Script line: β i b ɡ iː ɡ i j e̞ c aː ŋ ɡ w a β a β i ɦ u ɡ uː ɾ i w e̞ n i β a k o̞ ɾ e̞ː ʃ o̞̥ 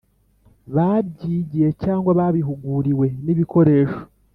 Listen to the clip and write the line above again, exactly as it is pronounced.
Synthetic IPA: β a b ɟ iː ɟ i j e̞ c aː ŋ ɡ w a β a β i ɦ u ɡ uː ɾ i w e̞ n i β i k o̞ ɾ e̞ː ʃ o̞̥